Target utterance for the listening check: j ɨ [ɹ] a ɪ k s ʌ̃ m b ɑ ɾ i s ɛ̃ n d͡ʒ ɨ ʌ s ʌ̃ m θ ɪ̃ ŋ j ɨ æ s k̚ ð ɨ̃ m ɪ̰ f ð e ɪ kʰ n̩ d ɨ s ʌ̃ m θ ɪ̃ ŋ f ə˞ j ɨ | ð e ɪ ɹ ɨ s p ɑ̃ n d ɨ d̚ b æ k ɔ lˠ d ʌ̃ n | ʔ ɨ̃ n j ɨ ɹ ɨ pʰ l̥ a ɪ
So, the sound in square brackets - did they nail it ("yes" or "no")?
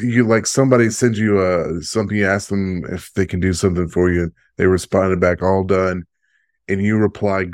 no